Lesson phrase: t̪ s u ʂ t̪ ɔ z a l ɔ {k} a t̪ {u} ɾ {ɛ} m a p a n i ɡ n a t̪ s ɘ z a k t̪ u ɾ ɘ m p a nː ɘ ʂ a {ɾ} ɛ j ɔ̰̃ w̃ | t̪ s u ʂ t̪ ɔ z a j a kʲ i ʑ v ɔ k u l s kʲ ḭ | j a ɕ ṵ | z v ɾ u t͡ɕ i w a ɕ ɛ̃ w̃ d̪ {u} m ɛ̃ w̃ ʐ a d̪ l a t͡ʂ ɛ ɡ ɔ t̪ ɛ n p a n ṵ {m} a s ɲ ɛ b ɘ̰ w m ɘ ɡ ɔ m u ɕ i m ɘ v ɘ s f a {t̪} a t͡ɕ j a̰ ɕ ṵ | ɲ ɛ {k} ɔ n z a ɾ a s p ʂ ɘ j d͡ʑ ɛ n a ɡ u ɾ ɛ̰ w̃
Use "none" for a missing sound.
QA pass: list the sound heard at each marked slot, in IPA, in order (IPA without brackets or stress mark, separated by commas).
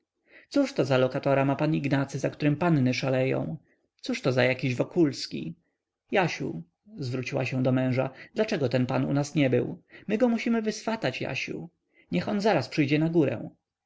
k, ɔ, a, l, ɔ, n, t̪, x